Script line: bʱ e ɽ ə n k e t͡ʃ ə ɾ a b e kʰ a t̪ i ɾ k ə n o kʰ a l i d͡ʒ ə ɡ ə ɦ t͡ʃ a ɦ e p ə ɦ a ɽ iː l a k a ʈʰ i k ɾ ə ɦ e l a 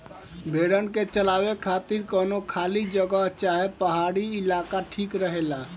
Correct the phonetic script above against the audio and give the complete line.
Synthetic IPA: bʱ e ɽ ə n k e t͡ʃ ə l a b e kʰ a t̪ i ɾ k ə n o kʰ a l i d͡ʒ ə ɡ ə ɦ t͡ʃ a ɦ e p ə ɦ a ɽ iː l a k a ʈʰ i k ɾ ə ɦ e l a